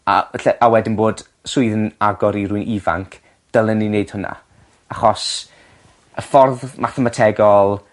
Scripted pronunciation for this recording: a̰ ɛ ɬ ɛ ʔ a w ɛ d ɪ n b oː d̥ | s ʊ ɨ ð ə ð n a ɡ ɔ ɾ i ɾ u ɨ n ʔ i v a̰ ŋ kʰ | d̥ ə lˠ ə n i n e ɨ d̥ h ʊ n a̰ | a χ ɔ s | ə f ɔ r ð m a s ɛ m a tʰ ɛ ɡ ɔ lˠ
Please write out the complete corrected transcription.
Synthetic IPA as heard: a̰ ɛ ɬ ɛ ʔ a w ɛ d ɪ n b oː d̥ | s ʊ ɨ ð ə n a ɡ ɔ ɾ i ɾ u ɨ n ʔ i v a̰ ŋ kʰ | d̥ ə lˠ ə n i n e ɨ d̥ h ʊ n a̰ | a χ ɔ s | ə f ɔ r ð m a θ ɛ m a tʰ ɛ ɡ ɔ lˠ

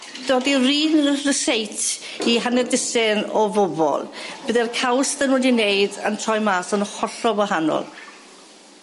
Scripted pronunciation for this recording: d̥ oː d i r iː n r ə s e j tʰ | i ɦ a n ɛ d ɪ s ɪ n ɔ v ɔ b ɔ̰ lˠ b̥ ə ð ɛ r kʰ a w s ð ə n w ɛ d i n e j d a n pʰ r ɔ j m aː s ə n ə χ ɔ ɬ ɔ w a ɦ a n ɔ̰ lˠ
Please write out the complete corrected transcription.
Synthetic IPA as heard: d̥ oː d i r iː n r ə s e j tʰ | i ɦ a n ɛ d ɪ s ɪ n ɔ v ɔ b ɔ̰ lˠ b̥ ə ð ɛ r kʰ a w s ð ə n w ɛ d i n e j d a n tʰ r ɔ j m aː s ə n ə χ ɔ ɬ ɔ w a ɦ a n ɔ̰ lˠ

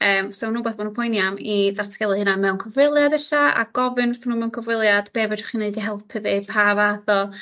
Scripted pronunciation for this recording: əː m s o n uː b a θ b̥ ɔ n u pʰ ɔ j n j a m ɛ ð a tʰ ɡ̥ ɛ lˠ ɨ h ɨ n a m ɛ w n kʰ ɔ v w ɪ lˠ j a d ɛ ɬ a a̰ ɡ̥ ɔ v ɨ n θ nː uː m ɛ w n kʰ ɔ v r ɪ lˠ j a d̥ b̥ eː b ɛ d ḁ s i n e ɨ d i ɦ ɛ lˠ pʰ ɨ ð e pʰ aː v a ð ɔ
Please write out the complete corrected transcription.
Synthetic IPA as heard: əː m s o n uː b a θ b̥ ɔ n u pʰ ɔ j n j a m i ð a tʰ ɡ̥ ɛ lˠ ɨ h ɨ n a m ɛ w n kʰ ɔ v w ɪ lˠ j a d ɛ ɬ a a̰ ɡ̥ ɔ v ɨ n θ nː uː m ɛ w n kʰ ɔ v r ɪ lˠ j a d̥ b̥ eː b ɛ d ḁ χ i n e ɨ d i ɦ ɛ lˠ pʰ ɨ ð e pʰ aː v a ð ɔ

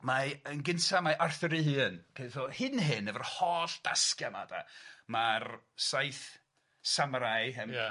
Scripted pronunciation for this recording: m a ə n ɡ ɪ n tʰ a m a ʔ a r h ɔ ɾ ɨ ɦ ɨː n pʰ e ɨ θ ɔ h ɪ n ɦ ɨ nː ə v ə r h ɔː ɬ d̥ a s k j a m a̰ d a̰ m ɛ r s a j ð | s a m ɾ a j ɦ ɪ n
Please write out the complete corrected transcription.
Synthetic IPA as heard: m a ə n ɡ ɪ n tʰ a m a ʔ a r θ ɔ ɾ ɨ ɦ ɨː n pʰ e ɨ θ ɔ h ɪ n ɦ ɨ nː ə v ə r h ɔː ɬ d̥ a s k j a m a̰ d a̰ m a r s a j θ | s a m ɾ a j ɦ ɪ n

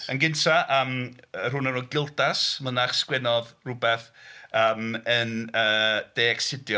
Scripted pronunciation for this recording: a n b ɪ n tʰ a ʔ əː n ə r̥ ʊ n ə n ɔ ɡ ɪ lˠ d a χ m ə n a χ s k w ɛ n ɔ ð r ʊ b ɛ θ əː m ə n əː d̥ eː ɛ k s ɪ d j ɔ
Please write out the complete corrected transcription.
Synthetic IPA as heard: ə n ɡ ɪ n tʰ a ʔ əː m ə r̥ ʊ n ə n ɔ ɡ ɪ lˠ d a s m ə n a χ s k w ɛ n ɔ ð r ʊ b ɛ θ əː m ə n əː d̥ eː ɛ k s ɪ d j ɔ

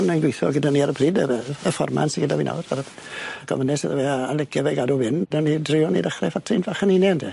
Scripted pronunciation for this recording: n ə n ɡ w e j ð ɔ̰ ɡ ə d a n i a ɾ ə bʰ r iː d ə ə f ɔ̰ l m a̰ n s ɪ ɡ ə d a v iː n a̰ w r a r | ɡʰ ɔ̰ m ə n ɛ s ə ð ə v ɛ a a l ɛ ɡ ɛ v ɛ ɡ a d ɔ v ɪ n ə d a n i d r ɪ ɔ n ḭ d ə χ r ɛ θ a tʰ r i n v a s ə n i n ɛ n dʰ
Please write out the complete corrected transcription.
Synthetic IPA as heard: n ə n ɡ w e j θ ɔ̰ ɡ ə d a n i a ɾ ə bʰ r iː d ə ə f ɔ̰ r m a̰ n s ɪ ɡ ə d a v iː n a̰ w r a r | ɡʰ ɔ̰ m ə n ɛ s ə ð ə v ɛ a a l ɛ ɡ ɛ v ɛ ɡ a d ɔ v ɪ n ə d a n i d r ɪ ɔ n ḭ d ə χ r ɛ f a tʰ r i n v a χ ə n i n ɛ n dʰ

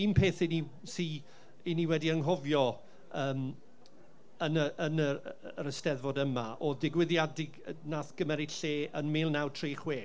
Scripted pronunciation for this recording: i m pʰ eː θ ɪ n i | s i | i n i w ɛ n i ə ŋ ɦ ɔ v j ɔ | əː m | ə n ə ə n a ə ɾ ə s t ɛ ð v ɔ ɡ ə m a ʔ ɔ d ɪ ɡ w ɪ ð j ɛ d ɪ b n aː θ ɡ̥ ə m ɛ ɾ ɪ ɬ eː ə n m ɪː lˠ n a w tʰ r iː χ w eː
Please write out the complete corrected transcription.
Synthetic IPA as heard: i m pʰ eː θ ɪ n i | s i | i n i w ɛ d i ə ŋ ɦ ɔ v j ɔ | əː m | ə n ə ə n ə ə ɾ ə s t ɛ ð v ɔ d ə m a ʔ ɔ d ɪ ɡ w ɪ ð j a d ɪ ɡ n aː θ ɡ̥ ə m ɛ ɾ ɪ ɬ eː ə n m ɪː lˠ n a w tʰ r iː χ w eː

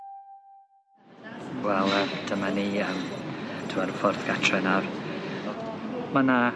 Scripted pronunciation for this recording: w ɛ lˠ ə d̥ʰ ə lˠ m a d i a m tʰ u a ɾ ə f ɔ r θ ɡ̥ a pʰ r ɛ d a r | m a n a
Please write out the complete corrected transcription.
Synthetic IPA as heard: w ɛ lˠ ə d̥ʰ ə m a n i ə m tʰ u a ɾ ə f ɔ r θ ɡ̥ a tʰ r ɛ n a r | m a n a

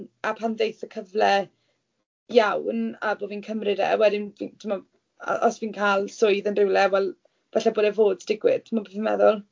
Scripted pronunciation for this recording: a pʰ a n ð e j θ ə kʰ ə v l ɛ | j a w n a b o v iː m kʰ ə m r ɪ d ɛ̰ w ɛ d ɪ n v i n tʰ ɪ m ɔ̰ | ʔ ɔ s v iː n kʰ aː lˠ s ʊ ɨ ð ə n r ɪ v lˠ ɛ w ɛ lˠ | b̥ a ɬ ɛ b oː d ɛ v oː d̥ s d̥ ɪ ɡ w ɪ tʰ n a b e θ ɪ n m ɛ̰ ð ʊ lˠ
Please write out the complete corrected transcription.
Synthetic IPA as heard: a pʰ a n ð e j θ ə kʰ ə v l ɛ | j a w n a b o v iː n kʰ ə m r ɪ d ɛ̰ w ɛ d ɪ n v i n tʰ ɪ m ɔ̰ | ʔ ɔ s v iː n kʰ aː lˠ s ʊ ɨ ð ə n r ɪ w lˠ ɛ w ɛ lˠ | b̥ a ɬ ɛ b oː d ɛ v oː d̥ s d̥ ɪ ɡ w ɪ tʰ m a b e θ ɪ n m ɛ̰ ð ʊ lˠ

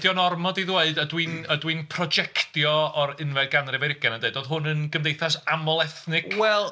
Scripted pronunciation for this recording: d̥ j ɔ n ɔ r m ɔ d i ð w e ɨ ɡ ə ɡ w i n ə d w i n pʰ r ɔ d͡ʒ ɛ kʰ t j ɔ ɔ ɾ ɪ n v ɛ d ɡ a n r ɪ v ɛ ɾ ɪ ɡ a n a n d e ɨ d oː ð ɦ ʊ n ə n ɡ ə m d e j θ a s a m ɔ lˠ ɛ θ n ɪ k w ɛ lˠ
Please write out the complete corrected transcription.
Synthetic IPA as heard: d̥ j ɔ n ɔ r m ɔ d i ð w e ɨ d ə d w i n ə d w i n pʰ r ɔ d͡ʒ ɛ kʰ t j ɔ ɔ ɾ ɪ n v ɛ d ɡ a n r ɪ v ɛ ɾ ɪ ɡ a n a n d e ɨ d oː ð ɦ ʊ n ə n ɡ ə m d e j θ a s a m ɔ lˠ ɛ θ n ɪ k w ɛ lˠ

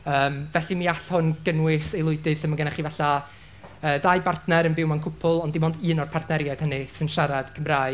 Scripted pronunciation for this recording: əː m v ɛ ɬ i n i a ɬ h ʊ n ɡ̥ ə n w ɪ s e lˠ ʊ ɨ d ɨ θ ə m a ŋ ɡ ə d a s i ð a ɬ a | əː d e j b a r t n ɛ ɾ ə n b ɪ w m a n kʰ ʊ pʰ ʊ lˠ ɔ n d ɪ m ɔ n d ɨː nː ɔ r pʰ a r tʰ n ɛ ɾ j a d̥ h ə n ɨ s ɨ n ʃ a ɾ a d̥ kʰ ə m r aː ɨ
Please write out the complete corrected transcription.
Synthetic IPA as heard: əː m v ɛ ɬ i n i a ɬ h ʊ n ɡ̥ ə n w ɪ s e lˠ ʊ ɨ d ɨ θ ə m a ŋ ɡ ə n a χ i v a ɬ a | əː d a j b a r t n ɛ ɾ ə n b ɪ w m a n kʰ ʊ pʰ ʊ lˠ ɔ n d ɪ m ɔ n d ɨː n ɔ r pʰ a r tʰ n ɛ ɾ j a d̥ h ə n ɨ s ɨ n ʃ a ɾ a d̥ kʰ ə m r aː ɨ

